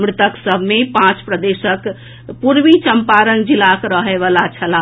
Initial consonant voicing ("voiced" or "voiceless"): voiced